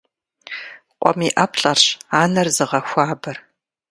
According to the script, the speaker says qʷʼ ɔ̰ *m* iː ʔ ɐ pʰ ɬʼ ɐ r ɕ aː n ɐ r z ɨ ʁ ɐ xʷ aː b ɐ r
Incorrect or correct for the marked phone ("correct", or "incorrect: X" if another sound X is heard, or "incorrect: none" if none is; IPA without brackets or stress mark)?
correct